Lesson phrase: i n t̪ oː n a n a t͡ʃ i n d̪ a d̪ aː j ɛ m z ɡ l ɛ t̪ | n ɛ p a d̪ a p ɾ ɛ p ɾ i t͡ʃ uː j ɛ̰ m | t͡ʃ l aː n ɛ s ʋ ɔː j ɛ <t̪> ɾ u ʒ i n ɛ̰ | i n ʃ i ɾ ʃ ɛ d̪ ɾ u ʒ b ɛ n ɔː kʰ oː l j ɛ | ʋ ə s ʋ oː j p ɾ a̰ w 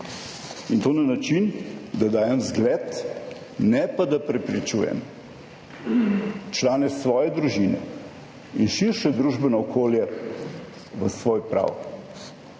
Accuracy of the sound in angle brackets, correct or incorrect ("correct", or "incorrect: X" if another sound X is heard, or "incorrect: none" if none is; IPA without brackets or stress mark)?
incorrect: d̪